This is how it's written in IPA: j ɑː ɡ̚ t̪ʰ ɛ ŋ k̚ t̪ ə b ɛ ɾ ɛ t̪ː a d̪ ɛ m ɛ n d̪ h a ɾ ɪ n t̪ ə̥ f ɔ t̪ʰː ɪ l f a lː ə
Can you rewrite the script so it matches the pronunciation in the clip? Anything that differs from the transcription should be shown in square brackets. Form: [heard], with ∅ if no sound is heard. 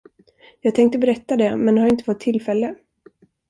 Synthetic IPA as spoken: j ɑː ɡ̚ t̪ʰ ɛ ŋ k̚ t̪ ə b ɛ ɾ ɛ t̪ː a d̪ ɛ m ɛ n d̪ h a ɾ ɪ n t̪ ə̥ f ɔ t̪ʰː ɪ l f [ɛ] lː ə

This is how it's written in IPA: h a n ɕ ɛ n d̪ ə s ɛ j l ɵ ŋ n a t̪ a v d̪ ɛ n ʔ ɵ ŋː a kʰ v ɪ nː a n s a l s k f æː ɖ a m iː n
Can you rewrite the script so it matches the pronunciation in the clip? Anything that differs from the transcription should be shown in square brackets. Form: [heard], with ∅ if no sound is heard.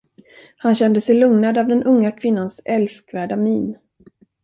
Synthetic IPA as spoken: h a n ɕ ɛ n d̪ ə s ɛ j l ɵ ŋ n a [d̪] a v d̪ ɛ n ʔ ɵ ŋː a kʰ v ɪ nː a n s [ɛ] l s k [v] æː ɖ a m iː n

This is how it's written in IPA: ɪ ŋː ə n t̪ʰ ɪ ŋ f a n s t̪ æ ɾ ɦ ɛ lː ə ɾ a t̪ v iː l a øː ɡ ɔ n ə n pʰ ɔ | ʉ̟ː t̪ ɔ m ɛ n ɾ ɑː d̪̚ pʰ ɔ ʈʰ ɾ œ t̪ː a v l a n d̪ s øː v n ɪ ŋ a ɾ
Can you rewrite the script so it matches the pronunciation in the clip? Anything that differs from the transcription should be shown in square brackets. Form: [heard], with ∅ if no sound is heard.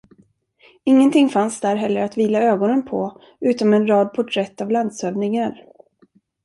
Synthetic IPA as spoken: ɪ ŋː ə n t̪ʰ ɪ ŋ f a n s [d̪] æ ɾ ɦ ɛ lː ə ɾ a t̪ v iː l a øː ɡ ɔ n ə n pʰ ɔ | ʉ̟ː t̪ ɔ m ɛ n ɾ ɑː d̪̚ pʰ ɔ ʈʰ ɾ [ɛ] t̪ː a v l a n d̪ s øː v n ɪ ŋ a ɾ

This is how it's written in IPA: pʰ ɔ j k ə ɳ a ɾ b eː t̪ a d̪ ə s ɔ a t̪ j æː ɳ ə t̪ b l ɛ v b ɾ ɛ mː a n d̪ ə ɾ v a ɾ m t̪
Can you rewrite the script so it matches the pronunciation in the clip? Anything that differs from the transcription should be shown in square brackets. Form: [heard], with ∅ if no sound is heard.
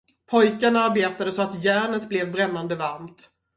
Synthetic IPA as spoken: pʰ ɔ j k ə [n] a ɾ b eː t̪ a d̪ ə s ɔ a t̪ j æː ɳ ə t̪ b l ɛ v b ɾ ɛ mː a n d̪ ə [∅] v a ɾ m t̪

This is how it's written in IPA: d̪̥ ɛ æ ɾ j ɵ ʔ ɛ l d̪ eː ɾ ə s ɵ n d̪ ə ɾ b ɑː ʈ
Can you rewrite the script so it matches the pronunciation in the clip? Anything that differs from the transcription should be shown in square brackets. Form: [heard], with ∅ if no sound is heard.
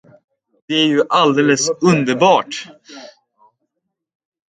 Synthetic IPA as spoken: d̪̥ ɛ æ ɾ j ɵ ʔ [a] l d̪ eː [l] ə s ɵ n d̪ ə ɾ b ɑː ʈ

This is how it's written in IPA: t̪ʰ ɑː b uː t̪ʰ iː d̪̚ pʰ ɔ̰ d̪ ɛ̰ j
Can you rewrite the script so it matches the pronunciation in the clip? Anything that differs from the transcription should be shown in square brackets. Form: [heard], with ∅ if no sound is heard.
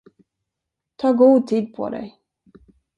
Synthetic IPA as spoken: t̪ʰ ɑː [ɡ] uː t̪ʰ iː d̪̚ pʰ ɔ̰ d̪ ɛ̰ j

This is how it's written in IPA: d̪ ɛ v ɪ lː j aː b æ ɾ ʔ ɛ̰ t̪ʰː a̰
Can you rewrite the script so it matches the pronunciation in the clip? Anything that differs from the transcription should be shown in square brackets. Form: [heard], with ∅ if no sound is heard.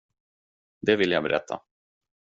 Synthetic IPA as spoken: d̪ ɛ v ɪ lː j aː b [ɛ] ɾ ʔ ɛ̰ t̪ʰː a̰

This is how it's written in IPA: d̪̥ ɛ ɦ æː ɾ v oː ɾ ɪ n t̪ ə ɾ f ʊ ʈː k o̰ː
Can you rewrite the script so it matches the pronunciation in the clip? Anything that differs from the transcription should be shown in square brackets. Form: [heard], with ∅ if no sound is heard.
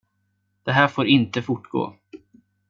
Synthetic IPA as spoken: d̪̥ ɛ ɦ æː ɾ [f] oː ɾ ɪ n t̪ ə [∅] f ʊ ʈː [ɡ] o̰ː

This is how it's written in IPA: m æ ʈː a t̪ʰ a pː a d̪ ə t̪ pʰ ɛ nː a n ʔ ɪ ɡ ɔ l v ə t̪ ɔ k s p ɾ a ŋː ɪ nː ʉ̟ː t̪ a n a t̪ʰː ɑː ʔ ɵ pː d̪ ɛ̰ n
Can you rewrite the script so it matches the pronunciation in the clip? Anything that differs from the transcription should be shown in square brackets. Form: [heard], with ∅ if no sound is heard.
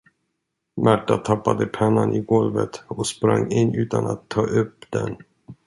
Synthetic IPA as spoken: m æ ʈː a t̪ʰ a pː a d̪ ə [∅] pʰ ɛ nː a n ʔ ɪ ɡ ɔ l v ə t̪ ɔ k s p ɾ a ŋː ɪ nː ʉ̟ː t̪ a n a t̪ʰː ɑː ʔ ɵ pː d̪ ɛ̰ n

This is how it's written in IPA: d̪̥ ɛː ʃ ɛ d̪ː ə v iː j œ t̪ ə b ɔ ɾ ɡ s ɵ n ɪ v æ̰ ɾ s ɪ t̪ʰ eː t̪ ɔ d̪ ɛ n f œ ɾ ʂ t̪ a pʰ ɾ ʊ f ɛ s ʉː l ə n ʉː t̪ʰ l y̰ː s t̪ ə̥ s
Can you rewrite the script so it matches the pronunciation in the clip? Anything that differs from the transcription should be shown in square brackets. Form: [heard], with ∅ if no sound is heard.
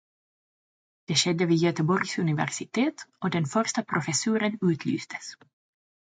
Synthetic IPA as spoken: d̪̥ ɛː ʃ ɛ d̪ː ə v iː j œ t̪ ə b ɔ ɾ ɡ s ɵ n ɪ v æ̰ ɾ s ɪ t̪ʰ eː t̪ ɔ d̪ ɛ n f œ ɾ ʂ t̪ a pʰ ɾ ʊ f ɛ s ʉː [ɾ] ə n ʉː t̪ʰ l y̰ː s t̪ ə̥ s

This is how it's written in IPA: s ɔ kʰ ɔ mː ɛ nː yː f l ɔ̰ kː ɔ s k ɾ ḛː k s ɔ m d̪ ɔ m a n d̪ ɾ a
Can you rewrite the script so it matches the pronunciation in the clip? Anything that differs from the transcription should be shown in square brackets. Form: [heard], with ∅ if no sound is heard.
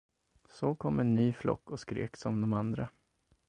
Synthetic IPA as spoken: s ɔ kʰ ɔ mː ɛ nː yː f l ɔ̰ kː ɔ s k ɾ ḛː k s ɔ m d̪ ɔ m a n d̪ ɾ a

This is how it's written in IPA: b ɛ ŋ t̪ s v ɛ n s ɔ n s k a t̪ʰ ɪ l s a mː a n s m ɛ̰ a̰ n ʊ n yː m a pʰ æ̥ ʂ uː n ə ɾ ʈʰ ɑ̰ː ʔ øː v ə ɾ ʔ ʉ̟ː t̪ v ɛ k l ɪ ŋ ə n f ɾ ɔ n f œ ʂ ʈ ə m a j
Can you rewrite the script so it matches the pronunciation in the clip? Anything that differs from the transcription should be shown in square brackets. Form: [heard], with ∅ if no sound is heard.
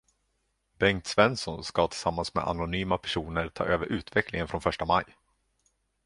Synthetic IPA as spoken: b ɛ ŋ t̪ s v ɛ n s ɔ n s k a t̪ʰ ɪ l s a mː a n s m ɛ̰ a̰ n ʊ n yː m a pʰ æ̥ ʂ uː n ə ɾ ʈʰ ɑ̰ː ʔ øː v ə ɾ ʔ ʉ̟ː t̪ v ɛ k l ɪ ŋ ə n f ɾ ɔ n f œ ʂ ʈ [a] m a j

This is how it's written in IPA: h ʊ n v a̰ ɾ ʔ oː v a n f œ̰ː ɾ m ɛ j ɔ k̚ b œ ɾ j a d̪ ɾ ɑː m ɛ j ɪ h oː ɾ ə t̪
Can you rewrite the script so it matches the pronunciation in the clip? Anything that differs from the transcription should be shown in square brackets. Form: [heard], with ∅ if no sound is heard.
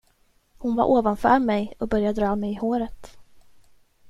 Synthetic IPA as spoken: h ʊ n v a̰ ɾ ʔ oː v a n f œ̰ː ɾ m ɛ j ɔ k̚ b œ ɾ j a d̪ ɾ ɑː m ɛ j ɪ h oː ɾ ə t̪

